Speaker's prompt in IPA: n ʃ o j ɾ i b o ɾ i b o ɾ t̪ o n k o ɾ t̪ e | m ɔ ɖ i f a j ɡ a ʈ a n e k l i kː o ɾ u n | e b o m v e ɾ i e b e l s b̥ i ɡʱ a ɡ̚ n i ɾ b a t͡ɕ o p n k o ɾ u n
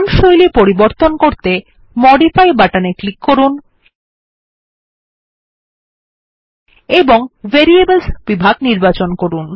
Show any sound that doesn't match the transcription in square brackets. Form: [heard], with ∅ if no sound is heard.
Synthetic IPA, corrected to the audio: n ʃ o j [l] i [p] o ɾ i b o ɾ t̪ o n k o ɾ t̪ e | m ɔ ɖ i f a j [b] a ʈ a n e k l i kː o ɾ u n | e b o [ŋ] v e ɾ i e b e l s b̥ i [bʱ] a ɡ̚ n i ɾ b a t͡ɕ o [∅] n k o ɾ u n